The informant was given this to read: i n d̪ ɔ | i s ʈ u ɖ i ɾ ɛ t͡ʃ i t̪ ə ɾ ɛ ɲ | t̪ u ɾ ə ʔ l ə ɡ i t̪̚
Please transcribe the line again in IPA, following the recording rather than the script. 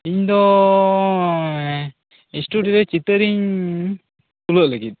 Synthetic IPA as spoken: i ɲ d̪ ɔ | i s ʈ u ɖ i ɾ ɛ t͡ʃ i t̪ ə ɾ i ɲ | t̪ u l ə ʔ l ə ɡ i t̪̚